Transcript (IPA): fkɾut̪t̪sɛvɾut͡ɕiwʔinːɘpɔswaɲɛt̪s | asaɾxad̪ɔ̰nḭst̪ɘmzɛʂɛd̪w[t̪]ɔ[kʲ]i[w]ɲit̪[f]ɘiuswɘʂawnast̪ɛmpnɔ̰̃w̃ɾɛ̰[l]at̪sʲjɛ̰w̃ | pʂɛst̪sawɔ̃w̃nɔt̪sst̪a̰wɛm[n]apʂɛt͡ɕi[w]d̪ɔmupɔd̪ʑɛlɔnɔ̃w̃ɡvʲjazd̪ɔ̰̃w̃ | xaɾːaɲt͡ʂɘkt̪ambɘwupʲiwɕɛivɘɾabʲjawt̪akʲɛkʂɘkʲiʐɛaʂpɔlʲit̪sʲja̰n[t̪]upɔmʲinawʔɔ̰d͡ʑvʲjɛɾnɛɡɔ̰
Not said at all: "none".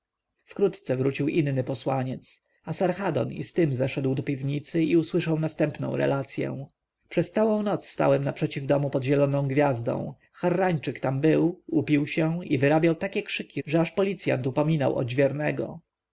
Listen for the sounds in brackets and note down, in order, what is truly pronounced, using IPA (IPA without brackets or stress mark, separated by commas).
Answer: d̪, pʲ, v, s, l, n, v, t̪